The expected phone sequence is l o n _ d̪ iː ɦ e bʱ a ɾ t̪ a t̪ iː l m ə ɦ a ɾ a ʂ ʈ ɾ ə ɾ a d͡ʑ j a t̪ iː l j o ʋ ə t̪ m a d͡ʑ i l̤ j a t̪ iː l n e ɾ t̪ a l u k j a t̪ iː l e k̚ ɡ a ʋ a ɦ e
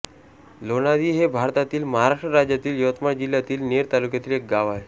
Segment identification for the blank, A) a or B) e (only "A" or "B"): A